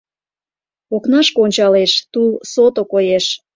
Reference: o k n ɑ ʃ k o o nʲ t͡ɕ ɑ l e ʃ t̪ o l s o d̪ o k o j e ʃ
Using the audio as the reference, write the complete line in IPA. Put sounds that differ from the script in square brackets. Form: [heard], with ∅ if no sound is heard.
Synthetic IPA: o k n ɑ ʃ k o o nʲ t͡ɕ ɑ l e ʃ t̪ [u] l s o [t̪] o k o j e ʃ